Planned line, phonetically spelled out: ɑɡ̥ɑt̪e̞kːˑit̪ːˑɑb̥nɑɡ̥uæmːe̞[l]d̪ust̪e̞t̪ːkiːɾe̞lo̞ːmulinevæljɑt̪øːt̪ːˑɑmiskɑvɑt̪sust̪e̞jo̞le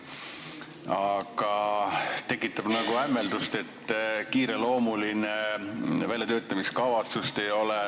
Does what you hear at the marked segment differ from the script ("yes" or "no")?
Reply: no